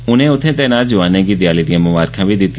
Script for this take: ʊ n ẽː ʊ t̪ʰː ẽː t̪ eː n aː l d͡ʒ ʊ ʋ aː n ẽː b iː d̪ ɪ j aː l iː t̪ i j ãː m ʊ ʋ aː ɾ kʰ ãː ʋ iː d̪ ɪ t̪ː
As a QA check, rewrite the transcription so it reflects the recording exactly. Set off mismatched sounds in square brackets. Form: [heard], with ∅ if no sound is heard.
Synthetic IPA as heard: ʊ n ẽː ʊ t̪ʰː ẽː t̪ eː n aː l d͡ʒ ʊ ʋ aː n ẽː [ɡ] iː d̪ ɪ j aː l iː [d̪] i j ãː m ʊ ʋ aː ɾ kʰ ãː ʋ iː d̪ ɪ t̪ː